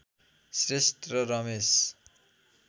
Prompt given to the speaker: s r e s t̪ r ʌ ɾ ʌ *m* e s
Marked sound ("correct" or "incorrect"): correct